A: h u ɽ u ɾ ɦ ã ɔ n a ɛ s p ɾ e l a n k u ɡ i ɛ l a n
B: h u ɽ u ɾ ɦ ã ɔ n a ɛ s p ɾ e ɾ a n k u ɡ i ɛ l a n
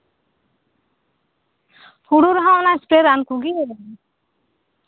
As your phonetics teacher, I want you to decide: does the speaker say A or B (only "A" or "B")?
B